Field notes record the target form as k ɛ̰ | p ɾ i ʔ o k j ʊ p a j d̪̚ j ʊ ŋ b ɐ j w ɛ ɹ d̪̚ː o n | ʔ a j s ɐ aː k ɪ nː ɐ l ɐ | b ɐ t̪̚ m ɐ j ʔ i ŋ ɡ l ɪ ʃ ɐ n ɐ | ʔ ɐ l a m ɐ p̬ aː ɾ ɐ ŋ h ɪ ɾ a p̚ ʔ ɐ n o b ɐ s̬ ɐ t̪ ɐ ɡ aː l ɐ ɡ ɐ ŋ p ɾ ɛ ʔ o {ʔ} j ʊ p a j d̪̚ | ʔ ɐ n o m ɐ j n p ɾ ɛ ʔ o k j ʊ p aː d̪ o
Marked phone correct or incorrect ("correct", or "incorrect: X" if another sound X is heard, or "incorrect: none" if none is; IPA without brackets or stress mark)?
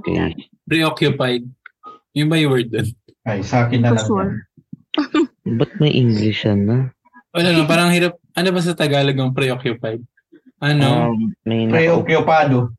incorrect: k